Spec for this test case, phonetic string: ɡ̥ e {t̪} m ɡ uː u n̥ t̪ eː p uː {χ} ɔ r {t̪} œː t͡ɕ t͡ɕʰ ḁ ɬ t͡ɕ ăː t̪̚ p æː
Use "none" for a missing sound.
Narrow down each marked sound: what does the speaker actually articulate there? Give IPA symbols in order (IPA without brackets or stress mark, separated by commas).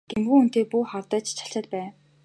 none, χ, t̪